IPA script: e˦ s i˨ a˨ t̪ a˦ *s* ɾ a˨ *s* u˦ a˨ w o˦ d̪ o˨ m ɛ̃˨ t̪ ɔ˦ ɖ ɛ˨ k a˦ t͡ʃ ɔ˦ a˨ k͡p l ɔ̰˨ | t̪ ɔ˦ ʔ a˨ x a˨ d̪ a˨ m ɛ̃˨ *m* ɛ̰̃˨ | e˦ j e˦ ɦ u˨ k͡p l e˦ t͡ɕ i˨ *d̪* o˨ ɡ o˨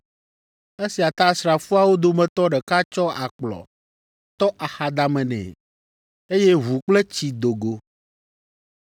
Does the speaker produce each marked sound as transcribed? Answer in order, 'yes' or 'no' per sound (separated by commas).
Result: yes, no, no, yes